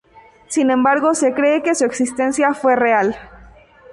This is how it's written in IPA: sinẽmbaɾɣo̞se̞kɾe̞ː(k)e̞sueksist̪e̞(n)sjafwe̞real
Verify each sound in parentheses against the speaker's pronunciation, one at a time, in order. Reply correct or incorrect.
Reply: correct, correct

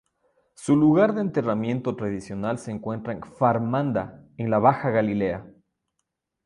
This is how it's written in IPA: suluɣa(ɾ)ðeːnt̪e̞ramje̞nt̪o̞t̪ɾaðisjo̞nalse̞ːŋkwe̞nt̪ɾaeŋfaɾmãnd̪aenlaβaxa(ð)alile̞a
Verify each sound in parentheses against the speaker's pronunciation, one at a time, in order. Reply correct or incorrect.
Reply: correct, incorrect

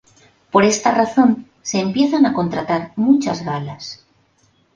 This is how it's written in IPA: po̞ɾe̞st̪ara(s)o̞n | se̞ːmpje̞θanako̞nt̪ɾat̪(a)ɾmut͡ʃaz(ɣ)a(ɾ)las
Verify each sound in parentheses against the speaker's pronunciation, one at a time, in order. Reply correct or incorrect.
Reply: incorrect, correct, correct, incorrect

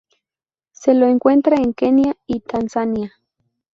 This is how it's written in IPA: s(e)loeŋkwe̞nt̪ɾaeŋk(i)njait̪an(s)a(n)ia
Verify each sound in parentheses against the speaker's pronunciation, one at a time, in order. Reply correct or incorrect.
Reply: correct, incorrect, correct, correct

